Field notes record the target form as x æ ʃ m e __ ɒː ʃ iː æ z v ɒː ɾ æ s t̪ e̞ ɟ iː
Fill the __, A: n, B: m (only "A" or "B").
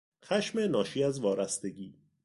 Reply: A